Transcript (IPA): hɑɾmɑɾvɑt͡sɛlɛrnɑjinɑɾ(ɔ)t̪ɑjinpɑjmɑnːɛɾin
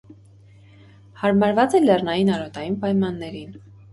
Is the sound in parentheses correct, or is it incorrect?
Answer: correct